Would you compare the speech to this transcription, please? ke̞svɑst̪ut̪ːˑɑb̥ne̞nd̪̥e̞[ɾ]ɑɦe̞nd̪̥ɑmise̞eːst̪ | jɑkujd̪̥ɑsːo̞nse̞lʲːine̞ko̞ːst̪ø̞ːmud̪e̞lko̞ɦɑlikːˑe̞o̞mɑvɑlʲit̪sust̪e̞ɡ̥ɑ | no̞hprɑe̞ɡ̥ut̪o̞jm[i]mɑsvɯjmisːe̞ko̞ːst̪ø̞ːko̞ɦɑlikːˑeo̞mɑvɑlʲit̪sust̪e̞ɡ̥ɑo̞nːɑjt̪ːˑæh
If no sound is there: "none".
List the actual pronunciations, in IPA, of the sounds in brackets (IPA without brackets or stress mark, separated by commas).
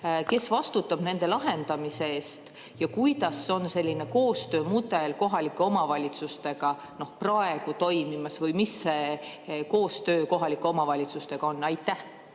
l, i